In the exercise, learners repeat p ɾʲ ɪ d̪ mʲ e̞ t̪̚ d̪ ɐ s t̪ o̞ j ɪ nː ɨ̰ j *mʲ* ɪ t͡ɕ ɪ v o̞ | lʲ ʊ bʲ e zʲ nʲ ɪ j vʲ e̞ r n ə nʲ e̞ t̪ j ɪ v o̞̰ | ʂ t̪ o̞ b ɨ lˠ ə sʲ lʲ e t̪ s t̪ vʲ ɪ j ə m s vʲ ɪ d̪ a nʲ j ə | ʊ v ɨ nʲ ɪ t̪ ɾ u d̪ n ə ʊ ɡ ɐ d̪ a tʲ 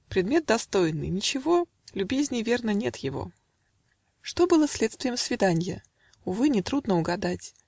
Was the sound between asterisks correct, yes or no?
no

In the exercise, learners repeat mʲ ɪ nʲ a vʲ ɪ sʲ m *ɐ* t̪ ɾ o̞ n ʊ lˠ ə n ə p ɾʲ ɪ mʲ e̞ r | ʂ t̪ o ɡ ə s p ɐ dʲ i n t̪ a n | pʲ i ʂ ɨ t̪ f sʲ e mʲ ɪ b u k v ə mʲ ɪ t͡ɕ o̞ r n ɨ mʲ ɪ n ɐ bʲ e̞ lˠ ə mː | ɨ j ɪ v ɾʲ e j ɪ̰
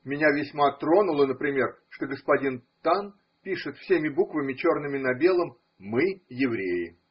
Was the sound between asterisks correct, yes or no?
no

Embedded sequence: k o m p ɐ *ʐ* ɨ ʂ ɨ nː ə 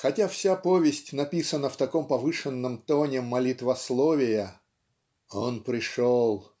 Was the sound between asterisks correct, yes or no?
no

